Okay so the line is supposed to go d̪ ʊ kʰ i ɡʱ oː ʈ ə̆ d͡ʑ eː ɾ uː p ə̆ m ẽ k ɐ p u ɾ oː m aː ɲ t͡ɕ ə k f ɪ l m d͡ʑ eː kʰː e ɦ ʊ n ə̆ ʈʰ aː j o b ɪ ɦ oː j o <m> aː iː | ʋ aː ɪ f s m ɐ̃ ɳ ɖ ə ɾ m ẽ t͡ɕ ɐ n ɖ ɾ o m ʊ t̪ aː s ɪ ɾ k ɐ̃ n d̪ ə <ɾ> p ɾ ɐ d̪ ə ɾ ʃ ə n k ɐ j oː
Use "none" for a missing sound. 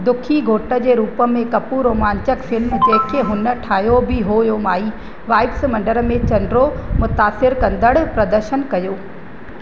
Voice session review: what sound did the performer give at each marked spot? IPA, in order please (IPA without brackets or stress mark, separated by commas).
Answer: m, ɽ